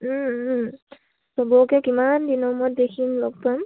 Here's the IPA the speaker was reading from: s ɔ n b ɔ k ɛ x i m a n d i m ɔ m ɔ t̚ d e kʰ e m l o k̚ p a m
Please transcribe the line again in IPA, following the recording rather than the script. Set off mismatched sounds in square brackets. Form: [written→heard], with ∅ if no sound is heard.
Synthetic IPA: s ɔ [n→∅] b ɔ k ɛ [x→k] i m a n d i [m→n] ɔ m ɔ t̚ d e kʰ [e→i] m l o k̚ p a m